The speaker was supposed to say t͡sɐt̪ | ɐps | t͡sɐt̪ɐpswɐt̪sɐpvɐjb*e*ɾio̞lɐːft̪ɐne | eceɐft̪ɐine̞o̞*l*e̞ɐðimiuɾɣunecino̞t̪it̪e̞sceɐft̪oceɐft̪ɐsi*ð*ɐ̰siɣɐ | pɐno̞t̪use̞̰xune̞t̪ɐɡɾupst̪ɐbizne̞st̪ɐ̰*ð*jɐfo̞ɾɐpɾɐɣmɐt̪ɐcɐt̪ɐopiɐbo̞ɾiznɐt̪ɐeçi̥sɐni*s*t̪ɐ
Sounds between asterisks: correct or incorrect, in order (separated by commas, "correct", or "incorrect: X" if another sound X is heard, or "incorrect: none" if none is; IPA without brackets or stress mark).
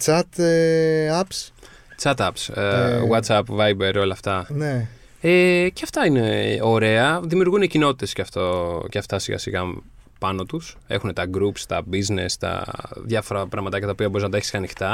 correct, incorrect: ɾ, incorrect: ɣ, correct, incorrect: x